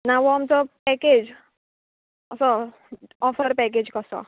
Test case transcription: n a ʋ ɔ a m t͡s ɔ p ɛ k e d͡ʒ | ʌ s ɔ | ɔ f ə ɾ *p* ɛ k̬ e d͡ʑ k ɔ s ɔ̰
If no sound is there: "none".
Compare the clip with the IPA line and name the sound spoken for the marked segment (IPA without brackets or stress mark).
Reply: p